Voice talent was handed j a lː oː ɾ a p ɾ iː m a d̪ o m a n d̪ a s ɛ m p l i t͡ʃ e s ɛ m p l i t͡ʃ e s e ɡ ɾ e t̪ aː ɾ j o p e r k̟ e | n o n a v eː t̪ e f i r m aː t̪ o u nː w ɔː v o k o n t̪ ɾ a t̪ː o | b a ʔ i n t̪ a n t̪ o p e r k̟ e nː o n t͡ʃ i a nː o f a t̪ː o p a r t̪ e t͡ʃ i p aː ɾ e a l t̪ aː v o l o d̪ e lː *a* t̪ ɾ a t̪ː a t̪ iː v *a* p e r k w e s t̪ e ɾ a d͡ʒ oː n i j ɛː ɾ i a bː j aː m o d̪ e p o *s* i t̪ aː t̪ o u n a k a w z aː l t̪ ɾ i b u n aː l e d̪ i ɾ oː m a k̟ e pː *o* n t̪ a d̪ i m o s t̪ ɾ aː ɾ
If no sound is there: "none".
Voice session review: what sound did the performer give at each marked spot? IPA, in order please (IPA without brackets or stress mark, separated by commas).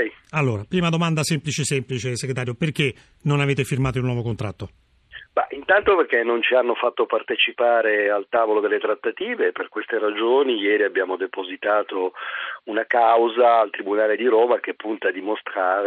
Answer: e, e, z, u